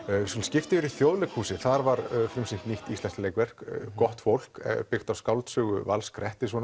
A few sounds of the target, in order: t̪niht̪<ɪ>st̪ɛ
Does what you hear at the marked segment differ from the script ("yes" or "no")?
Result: yes